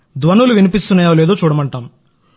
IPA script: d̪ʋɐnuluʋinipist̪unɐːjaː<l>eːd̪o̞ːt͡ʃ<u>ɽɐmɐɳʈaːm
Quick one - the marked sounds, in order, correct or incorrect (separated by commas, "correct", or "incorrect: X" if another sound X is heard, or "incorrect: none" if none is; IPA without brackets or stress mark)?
correct, incorrect: uː